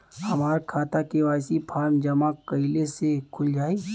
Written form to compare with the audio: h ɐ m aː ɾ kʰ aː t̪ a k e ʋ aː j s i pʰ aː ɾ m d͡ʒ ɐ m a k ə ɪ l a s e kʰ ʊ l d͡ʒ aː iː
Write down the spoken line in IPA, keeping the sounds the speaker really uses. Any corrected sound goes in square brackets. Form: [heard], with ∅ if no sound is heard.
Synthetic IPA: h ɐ m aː ɾ kʰ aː t̪ a k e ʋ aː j s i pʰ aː ɾ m d͡ʒ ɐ m a k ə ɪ l [e] s e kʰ ʊ l d͡ʒ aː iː